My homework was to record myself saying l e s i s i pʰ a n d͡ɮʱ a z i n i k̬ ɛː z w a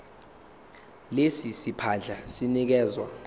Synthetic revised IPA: l e s i s i pʰ a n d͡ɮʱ a s i n i k̬ ɛː z w a